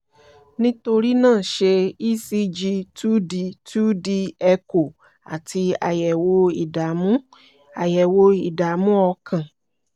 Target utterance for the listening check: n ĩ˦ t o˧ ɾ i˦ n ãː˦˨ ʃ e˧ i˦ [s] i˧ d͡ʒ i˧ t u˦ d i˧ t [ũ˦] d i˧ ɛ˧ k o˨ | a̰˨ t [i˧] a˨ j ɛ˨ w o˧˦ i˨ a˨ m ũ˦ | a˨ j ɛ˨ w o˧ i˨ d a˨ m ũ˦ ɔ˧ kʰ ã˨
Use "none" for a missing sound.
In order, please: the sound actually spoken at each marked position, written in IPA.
s, u˦, i˧

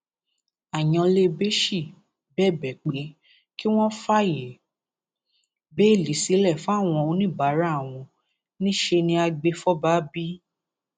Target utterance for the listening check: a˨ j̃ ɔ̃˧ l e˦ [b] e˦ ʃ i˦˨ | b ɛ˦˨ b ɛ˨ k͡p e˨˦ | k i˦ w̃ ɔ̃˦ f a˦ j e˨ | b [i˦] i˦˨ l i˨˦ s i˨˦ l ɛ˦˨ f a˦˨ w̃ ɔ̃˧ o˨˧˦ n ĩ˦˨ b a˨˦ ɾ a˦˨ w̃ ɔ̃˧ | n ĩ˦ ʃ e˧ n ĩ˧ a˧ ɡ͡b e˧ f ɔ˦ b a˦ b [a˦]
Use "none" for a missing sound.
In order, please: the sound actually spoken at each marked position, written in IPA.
b, e˦, i˦

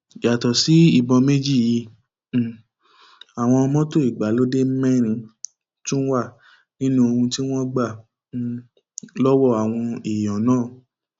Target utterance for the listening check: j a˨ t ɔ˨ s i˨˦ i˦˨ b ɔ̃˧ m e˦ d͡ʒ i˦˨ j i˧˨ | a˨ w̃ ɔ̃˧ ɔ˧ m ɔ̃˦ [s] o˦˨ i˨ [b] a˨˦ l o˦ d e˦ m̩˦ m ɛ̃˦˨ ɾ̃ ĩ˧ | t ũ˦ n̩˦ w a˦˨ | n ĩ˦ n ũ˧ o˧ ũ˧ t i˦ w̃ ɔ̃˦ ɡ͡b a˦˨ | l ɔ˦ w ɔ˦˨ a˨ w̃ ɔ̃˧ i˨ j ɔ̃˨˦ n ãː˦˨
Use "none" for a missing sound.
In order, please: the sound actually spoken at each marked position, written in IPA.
t, ɡ͡b

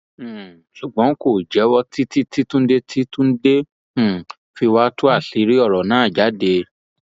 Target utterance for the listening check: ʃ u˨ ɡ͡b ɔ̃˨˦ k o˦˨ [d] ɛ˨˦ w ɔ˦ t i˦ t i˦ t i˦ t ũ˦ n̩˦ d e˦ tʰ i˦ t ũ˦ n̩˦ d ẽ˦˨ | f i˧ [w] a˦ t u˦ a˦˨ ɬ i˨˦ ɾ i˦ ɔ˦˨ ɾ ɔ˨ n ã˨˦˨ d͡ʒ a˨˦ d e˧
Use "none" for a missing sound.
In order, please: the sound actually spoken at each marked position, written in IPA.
d͡ʒ, w

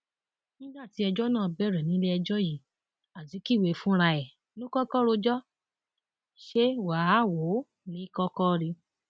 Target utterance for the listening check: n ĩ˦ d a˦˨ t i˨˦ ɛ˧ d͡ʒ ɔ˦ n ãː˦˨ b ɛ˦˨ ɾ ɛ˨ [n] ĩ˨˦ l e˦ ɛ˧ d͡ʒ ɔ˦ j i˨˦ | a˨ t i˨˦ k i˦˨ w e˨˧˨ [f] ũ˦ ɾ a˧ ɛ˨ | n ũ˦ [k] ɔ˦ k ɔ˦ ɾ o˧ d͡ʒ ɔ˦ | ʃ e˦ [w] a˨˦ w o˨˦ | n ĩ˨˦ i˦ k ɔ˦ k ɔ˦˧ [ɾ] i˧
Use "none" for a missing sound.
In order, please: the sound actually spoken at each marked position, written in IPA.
n, f, k, w, ɾ

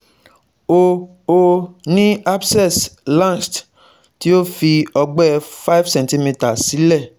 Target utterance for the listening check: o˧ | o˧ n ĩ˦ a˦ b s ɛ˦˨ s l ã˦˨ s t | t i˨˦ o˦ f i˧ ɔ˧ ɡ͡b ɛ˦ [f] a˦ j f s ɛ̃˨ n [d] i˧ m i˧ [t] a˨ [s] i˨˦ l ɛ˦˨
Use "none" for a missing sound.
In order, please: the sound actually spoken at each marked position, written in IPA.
f, t, t, s

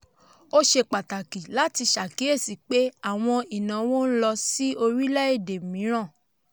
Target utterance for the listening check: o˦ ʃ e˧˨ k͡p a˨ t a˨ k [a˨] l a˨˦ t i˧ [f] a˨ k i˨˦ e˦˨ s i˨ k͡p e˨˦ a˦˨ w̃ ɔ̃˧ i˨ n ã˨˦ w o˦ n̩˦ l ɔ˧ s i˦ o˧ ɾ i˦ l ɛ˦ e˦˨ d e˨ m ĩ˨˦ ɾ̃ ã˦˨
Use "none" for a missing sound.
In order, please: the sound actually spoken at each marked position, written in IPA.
i˨, ʃ

